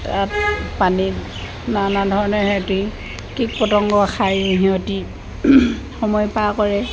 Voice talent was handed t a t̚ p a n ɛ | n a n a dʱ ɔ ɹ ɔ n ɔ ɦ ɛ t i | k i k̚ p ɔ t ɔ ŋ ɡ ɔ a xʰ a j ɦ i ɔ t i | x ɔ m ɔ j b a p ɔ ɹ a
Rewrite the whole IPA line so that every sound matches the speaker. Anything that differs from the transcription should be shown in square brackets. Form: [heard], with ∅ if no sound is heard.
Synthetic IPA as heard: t a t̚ p a n [i] | n a n a dʱ ɔ ɹ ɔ n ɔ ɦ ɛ t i | k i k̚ p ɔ t ɔ ŋ ɡ ɔ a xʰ a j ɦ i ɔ t i | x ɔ m ɔ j [p] a [k] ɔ ɹ [ɛ]